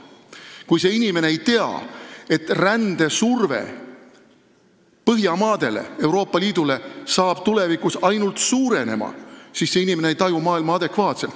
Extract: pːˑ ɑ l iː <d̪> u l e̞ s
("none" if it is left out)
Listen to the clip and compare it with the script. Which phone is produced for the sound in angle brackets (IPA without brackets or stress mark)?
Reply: d̪